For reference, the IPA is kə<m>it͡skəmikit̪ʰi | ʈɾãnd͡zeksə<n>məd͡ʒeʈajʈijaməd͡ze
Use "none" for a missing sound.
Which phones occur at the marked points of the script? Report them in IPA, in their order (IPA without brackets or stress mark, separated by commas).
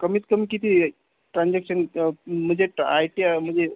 m, n